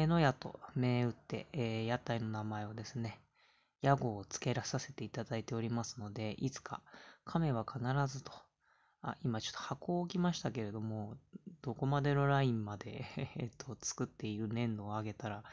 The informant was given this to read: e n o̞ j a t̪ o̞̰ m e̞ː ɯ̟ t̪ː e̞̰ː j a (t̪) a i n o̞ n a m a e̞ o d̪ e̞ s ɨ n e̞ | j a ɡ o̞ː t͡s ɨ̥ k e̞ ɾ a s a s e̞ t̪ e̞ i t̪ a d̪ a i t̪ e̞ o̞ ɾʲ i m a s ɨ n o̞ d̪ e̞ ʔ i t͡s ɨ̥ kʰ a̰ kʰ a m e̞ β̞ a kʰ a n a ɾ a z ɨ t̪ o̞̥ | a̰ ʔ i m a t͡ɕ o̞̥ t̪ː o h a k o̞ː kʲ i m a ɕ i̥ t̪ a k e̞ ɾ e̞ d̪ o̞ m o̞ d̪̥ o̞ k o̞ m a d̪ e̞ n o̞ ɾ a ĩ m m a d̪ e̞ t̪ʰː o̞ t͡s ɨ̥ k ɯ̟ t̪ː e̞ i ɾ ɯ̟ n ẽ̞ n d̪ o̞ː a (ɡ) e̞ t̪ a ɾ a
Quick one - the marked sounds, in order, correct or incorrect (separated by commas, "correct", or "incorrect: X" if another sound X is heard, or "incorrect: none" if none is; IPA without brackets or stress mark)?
correct, correct